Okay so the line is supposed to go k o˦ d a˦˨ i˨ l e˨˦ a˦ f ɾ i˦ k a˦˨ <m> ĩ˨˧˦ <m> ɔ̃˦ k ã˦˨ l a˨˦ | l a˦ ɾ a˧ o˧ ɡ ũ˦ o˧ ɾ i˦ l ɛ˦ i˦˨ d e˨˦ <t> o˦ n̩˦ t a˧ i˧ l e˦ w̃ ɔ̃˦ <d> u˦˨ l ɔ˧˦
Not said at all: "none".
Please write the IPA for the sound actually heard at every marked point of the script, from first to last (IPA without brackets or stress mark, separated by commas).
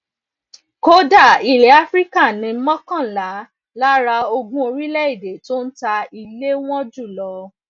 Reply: n, m, t, d͡ʒ